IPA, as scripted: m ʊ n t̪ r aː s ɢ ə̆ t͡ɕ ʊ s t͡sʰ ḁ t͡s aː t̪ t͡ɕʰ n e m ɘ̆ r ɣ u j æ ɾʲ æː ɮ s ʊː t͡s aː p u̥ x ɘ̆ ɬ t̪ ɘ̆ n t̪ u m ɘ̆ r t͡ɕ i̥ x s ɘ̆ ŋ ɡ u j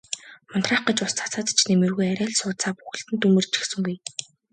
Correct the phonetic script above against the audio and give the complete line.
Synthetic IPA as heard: m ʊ n t̪ r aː χ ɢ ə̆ t͡ɕ ʊ s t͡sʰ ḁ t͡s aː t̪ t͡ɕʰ n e m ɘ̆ r ɣ u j æ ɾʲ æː ɮ s ʊː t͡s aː p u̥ x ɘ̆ ɬ t̪ ɘ̆ n t̪ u m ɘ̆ r t͡ɕ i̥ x s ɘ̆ ŋ ɡ u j